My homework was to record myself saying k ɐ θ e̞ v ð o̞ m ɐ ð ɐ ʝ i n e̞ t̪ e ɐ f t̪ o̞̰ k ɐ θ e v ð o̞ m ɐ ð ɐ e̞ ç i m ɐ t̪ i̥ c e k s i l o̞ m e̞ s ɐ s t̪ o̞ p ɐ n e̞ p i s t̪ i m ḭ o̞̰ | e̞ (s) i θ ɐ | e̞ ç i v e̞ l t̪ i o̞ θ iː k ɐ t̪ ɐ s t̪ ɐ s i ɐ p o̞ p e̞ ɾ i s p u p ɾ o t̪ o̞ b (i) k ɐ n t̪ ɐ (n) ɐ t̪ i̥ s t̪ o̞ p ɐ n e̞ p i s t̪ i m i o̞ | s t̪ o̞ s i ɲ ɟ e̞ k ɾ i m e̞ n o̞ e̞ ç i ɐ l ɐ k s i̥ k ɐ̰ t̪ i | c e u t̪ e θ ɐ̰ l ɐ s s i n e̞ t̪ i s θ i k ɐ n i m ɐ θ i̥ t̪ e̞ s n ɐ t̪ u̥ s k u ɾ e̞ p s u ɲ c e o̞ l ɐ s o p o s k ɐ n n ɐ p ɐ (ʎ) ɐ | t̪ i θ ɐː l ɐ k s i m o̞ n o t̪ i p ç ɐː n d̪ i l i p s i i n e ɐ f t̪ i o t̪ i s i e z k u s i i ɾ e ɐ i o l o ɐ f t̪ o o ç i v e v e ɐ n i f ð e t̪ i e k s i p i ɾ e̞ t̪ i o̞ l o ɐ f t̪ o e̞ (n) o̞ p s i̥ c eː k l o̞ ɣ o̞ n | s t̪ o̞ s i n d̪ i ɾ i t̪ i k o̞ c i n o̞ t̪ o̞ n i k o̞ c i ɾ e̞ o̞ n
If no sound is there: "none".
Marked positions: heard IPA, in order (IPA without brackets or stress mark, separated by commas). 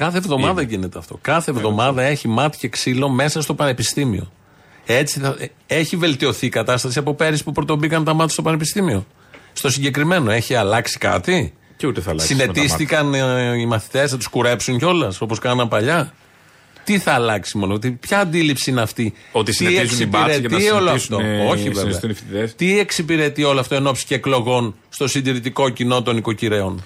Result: t͡s, i, m, ʎ, n